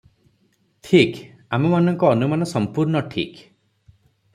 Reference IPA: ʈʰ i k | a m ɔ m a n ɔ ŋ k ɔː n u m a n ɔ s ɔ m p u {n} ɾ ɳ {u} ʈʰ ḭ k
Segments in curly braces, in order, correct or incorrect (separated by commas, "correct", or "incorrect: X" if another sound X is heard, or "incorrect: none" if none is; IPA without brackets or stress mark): incorrect: none, incorrect: ɔ